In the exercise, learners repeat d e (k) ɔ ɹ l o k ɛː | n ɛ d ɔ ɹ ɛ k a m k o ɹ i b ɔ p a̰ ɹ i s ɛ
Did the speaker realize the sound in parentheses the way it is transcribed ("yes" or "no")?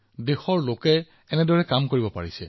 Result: no